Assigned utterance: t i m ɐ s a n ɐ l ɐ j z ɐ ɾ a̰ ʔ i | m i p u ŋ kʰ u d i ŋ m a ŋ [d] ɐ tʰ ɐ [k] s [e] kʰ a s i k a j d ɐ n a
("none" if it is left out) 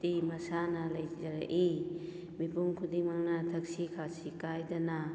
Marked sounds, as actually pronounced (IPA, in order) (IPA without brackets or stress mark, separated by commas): n, k, i